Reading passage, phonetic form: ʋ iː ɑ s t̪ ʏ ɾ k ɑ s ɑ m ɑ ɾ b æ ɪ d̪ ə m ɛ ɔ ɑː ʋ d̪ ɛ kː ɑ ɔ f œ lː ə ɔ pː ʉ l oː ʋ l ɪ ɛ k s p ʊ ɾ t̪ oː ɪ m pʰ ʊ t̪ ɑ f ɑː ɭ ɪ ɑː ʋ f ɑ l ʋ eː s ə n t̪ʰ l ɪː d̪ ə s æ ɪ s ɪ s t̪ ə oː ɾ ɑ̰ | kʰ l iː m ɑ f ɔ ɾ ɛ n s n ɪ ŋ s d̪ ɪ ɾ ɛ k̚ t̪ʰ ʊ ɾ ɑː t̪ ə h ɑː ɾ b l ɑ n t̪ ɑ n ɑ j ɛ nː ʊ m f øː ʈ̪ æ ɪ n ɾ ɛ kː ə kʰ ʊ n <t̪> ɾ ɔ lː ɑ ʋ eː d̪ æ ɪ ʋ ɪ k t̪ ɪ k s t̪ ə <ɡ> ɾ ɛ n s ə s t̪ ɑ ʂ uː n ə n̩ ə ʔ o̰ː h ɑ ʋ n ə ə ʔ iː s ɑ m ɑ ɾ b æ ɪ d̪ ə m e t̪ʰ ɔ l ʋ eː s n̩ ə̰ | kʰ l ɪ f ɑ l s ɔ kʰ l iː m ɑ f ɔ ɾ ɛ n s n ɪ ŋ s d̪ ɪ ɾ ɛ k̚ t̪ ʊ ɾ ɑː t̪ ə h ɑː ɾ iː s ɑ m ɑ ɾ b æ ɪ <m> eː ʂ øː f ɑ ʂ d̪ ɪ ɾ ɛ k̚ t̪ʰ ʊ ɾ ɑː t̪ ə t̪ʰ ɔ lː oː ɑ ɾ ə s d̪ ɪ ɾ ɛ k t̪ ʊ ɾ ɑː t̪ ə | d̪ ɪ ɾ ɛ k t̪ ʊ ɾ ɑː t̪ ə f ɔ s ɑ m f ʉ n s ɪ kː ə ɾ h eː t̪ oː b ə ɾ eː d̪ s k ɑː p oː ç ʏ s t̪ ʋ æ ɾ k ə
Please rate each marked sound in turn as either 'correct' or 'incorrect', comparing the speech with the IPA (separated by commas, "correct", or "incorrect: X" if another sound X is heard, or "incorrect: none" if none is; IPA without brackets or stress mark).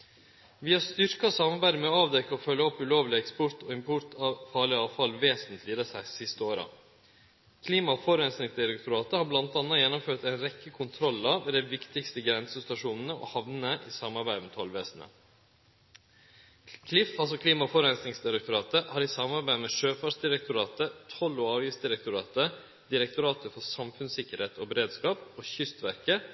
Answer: incorrect: t̪ʰ, correct, correct